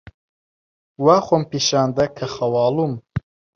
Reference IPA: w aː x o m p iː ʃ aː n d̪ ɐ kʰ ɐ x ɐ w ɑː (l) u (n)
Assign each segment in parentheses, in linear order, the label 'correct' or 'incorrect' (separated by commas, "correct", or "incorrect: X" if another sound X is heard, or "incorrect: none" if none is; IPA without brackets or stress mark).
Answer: correct, incorrect: m